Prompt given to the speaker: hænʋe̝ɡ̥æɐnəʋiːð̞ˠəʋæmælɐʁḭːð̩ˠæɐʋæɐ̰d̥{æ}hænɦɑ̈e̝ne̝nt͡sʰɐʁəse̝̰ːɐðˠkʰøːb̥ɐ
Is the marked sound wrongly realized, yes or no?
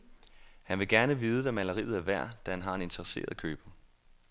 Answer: no